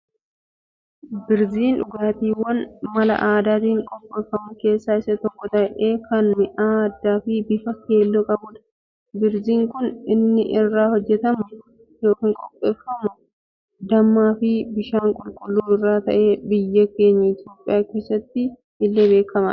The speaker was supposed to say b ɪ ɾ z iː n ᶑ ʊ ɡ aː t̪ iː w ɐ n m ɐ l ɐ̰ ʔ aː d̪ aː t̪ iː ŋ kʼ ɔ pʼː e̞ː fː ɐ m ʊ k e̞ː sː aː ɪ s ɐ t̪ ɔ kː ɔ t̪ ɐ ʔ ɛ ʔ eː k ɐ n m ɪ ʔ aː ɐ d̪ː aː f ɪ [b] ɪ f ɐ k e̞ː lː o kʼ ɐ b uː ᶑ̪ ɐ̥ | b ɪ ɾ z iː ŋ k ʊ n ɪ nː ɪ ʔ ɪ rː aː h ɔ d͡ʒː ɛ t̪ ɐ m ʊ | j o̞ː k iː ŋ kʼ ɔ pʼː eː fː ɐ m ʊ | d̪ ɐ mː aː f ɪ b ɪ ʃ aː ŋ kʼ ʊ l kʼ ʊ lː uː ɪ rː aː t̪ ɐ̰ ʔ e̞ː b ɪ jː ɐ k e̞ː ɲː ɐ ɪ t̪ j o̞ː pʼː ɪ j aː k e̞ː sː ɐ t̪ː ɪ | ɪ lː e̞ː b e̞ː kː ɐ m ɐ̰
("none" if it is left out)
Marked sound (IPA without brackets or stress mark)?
b